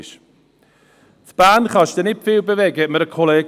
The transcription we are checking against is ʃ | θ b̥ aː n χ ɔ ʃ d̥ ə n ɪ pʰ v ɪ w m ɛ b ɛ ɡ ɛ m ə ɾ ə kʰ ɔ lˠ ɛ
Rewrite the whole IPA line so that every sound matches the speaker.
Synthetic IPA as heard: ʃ | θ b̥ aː n χ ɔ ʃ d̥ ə n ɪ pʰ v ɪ w b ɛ v ɛ ɡ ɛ m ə ɾ ə kʰ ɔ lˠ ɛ